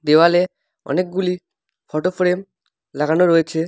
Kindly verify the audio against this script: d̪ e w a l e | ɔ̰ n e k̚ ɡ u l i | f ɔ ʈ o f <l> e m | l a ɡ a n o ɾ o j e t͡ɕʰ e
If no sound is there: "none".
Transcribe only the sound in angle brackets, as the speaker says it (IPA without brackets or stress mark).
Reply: ɾ